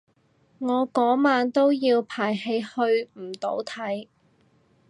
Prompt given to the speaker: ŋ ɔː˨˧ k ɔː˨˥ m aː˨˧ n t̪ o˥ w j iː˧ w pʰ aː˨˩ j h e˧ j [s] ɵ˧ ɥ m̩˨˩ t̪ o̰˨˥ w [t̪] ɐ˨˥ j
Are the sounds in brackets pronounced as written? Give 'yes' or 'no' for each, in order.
no, no

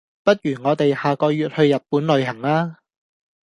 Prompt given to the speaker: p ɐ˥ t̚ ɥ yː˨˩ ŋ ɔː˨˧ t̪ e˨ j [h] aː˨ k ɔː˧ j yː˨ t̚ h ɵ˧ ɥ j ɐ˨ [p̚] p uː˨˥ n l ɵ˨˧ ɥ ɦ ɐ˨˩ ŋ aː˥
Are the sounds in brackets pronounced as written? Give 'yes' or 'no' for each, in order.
yes, no

